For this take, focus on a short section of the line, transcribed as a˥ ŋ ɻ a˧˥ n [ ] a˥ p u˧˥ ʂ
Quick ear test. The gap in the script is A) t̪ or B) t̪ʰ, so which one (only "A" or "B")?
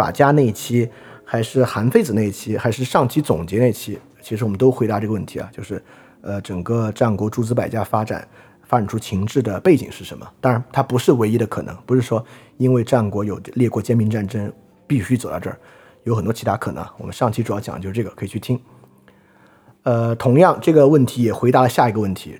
B